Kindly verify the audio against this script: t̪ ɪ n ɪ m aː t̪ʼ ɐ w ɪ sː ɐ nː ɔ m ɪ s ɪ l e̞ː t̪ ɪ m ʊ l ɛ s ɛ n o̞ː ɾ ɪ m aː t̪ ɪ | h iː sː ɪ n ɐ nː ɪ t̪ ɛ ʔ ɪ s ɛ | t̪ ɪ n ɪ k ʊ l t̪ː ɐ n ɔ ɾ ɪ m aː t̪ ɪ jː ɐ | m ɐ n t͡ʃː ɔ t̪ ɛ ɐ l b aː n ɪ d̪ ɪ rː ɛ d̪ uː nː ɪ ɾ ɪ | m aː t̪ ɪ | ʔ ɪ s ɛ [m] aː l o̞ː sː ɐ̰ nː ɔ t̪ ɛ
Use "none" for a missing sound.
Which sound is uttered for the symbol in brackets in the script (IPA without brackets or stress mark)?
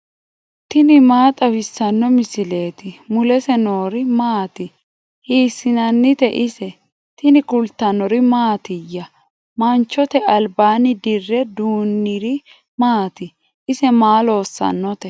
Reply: m